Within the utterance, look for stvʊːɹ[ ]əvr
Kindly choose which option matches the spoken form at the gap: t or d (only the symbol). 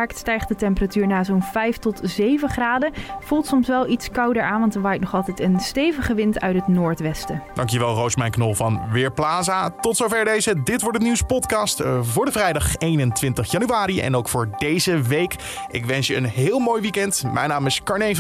d